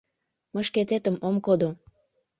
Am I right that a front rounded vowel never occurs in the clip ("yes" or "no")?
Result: yes